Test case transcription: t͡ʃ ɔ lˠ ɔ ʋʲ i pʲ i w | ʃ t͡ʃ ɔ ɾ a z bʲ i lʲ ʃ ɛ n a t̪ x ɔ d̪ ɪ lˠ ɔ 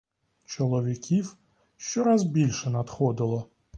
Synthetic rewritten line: t͡ʃ ɔ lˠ ɔ ʋʲ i kʲ i w | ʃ t͡ʃ ɔ ɾ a z bʲ i lʲ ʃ ɛ n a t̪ x ɔ d̪ ɪ lˠ ɔ